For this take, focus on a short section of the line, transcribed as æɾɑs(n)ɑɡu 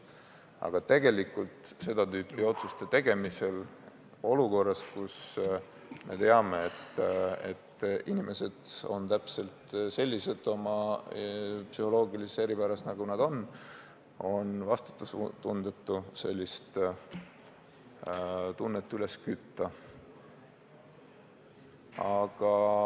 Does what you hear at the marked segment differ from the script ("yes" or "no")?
no